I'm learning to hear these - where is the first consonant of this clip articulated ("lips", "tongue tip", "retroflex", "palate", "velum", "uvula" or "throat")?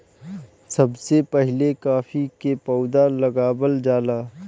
tongue tip